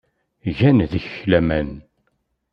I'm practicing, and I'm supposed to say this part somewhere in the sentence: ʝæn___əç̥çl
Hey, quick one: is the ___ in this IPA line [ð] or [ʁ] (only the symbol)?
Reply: ð